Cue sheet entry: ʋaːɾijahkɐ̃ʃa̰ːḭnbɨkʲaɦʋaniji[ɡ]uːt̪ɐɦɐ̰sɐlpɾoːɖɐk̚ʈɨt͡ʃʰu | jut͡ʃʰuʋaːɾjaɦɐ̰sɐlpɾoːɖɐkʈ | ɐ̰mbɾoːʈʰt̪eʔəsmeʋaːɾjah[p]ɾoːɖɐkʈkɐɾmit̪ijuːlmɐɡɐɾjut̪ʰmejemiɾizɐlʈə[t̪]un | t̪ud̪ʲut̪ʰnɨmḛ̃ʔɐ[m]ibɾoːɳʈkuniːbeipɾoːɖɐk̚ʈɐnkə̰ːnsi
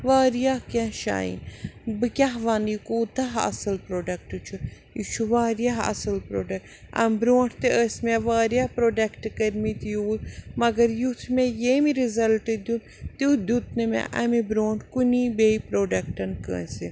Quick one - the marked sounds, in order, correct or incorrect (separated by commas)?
incorrect, correct, incorrect, correct